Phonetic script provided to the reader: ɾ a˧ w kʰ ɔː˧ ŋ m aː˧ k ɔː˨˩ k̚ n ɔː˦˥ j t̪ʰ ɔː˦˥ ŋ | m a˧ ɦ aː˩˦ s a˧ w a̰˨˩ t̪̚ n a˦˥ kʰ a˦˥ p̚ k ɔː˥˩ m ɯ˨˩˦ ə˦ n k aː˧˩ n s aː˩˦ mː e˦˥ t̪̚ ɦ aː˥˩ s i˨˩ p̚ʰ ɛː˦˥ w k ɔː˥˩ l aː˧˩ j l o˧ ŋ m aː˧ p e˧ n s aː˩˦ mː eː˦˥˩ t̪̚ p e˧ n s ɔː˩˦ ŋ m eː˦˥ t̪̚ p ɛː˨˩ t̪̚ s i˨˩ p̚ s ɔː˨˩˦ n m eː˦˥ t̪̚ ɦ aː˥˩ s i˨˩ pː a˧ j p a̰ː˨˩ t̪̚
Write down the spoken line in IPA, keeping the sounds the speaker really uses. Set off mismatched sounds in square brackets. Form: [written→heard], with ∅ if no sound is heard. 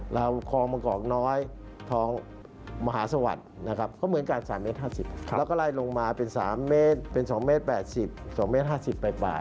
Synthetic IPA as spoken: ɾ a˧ w kʰ ɔː˧ ŋ m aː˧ k ɔː˨˩ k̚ n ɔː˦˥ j t̪ʰ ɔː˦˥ ŋ | m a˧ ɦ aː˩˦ s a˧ w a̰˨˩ t̪̚ n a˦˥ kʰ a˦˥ p̚ k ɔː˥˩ m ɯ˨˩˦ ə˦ n k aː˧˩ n s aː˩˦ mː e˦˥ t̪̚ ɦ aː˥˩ s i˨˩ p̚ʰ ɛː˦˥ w k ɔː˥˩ l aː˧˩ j l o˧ ŋ m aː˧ p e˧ n s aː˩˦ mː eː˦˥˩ t̪̚ p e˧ n s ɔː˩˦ ŋ m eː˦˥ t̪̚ p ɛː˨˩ t̪̚ s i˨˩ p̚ s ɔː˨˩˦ [n→ŋ] m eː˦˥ t̪̚ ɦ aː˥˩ s i˨˩ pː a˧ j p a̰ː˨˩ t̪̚